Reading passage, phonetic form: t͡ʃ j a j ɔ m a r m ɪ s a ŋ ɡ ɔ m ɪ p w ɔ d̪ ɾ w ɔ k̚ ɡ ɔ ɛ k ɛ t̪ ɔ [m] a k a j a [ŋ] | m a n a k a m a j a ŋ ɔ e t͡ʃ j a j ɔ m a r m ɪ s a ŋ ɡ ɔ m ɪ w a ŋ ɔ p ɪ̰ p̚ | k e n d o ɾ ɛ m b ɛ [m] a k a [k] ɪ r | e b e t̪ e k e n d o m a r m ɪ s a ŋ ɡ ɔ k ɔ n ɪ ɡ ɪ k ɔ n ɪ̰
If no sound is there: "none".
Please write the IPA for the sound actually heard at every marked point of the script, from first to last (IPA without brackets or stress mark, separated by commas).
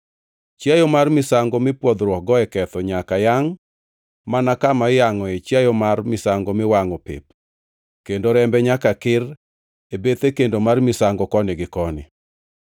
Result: ɲ, ŋ, ɲ, k